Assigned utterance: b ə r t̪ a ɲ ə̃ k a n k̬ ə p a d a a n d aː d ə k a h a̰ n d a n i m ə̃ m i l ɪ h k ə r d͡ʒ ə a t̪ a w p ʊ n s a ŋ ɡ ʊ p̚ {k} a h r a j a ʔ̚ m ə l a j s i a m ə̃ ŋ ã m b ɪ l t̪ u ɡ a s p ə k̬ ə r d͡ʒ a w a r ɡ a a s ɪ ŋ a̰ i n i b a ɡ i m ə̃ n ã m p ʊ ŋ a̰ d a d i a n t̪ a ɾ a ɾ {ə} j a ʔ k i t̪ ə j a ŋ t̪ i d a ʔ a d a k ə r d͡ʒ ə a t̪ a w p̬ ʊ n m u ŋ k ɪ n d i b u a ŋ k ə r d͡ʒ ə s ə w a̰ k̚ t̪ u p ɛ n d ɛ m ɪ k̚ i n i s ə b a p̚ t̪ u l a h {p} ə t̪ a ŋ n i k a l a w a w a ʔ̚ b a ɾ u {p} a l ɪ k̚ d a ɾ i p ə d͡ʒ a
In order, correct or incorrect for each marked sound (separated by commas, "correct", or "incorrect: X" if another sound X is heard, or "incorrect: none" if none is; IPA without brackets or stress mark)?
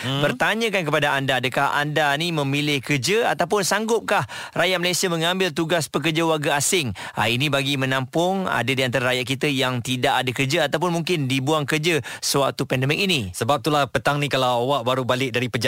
correct, incorrect: a, correct, incorrect: b